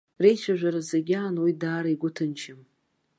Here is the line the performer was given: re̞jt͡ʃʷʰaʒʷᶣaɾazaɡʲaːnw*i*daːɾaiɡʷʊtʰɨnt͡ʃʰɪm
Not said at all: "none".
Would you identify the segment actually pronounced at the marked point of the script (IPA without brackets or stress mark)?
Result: i